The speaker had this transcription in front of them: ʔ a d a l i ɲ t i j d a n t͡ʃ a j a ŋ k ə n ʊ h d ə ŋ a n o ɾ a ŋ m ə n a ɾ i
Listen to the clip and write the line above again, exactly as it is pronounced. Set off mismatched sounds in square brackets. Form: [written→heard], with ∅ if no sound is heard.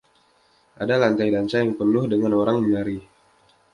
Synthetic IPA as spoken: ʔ a d a l [i→a] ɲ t [i→a] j d a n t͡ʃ a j a ŋ [k→p] ə n ʊ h d ə ŋ a n o ɾ a ŋ m ə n a ɾ i